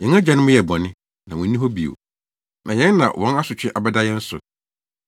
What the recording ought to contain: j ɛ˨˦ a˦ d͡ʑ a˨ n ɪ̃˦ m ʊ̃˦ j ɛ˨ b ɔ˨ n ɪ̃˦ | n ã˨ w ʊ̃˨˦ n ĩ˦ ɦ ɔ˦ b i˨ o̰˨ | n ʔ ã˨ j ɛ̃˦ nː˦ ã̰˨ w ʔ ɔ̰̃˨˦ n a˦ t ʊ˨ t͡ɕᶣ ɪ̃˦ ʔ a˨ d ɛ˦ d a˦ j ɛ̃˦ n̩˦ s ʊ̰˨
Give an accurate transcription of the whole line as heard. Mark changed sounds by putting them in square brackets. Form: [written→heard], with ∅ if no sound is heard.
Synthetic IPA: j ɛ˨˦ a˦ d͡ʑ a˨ n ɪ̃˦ m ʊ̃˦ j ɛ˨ b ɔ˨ n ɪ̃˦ | n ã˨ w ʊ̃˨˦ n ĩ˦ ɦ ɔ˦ b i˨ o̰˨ | n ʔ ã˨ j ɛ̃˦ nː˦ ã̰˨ w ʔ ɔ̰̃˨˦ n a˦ [t→s] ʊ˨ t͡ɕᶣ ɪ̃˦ ʔ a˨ [d→b] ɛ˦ d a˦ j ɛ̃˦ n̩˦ s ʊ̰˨